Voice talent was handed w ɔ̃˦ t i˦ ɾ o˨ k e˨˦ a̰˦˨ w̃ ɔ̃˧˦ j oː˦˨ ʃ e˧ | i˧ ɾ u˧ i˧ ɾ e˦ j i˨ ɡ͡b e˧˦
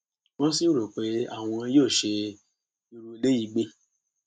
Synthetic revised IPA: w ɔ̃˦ s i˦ ɾ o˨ k͡p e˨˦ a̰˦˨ w̃ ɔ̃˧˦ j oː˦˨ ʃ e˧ | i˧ ɾ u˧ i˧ l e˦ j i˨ ɡ͡b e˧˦